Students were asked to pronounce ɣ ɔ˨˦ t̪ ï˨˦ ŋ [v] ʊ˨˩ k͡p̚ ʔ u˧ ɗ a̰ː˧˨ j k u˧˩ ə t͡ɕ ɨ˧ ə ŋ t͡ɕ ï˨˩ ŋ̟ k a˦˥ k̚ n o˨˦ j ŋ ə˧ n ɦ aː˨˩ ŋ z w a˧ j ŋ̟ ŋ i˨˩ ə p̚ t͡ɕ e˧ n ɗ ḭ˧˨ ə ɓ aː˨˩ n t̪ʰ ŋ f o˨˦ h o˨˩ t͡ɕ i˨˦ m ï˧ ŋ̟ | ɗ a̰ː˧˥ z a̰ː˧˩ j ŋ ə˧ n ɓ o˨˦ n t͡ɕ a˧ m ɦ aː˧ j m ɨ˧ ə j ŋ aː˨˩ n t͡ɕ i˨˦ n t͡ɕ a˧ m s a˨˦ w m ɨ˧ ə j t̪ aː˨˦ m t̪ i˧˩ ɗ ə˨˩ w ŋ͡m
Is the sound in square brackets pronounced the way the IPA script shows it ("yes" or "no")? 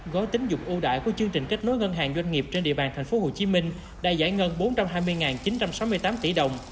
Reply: no